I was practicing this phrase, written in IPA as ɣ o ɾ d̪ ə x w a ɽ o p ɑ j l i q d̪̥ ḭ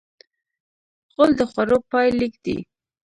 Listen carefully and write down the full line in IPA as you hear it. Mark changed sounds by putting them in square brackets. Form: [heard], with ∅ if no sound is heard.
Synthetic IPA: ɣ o [l] d̪ ə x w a [ɾ] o p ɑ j l i [k] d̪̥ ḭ